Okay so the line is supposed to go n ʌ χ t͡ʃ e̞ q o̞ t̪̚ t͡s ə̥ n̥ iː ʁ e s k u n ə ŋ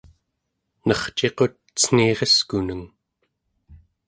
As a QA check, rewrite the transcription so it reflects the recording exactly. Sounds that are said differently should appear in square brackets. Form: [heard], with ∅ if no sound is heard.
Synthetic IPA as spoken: n ʌ χ t͡ʃ e̞ q o̞ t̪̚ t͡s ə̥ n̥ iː ʁ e s k u n ə ŋ